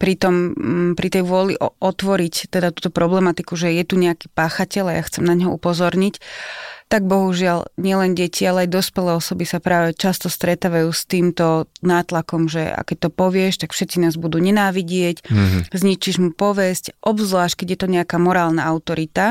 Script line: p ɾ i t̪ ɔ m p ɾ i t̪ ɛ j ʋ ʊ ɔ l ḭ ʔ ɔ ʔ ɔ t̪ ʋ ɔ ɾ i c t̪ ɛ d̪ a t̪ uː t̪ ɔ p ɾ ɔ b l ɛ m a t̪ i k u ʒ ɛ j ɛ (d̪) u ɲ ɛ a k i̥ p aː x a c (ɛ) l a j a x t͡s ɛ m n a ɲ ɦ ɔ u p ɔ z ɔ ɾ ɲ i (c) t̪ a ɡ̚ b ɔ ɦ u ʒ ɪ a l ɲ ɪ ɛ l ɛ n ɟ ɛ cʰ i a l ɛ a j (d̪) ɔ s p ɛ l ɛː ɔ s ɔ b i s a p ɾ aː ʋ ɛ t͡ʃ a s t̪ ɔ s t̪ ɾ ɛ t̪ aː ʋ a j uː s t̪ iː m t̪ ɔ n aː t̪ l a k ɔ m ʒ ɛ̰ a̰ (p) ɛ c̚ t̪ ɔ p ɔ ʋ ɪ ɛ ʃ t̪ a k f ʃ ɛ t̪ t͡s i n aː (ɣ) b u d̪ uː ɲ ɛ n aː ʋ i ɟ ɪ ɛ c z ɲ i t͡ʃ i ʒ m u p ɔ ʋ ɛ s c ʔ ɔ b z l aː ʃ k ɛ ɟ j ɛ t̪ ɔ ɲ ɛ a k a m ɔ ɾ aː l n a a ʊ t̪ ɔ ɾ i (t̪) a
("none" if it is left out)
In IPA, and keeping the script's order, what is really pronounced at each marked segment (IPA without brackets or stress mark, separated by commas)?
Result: t̪, ɛ, c, d̪, k, z, t̪